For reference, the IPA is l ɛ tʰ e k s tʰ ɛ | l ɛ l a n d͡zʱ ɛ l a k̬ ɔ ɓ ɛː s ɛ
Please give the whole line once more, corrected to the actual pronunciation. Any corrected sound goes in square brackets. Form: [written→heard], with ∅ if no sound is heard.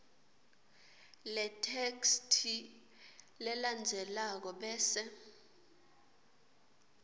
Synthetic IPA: l ɛ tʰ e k s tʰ [ɛ→i] | l ɛ l a n d͡zʱ ɛ l a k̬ ɔ ɓ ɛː s ɛ